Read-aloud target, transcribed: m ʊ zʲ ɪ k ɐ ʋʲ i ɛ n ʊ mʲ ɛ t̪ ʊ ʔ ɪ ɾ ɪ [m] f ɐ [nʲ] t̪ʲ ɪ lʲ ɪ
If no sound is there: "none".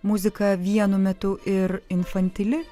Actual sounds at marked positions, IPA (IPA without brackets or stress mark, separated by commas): n, nʲ